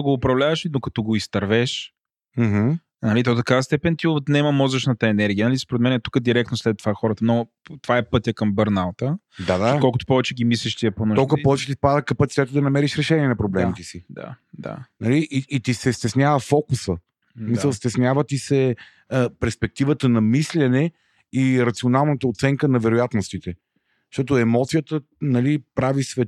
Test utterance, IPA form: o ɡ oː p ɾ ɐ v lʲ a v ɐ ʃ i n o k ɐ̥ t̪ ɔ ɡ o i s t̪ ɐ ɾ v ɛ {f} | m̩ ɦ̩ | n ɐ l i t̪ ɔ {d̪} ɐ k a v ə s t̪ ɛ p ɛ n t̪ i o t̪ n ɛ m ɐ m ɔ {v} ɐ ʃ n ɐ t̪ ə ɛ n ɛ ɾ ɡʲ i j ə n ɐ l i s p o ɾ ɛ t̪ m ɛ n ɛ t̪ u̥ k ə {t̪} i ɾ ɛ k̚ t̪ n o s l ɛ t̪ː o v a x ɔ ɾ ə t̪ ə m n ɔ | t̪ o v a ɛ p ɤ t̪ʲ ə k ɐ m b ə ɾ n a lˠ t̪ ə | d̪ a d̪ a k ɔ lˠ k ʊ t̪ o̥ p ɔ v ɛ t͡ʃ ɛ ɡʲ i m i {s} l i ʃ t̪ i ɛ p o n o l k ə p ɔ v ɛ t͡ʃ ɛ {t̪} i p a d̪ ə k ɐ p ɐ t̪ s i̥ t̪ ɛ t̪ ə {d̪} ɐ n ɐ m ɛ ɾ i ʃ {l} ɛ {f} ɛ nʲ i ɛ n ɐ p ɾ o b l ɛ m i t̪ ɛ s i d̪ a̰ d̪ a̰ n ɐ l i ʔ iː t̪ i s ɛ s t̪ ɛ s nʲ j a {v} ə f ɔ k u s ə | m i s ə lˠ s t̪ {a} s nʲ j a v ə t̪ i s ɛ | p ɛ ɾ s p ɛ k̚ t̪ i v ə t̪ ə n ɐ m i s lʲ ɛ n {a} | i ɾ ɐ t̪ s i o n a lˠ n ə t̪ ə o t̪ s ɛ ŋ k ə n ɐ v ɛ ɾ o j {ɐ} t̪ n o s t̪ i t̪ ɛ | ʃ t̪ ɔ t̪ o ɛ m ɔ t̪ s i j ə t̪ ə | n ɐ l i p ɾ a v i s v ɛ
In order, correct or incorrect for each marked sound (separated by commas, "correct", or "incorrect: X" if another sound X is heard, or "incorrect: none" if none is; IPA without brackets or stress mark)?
incorrect: ʃ, incorrect: t̪, incorrect: z, incorrect: d̪, correct, correct, correct, incorrect: ɾ, incorrect: ʃ, correct, incorrect: ɛ, incorrect: ɛ, incorrect: a